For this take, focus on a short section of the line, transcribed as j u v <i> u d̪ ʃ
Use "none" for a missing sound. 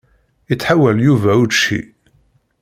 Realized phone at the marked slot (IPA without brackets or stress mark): æ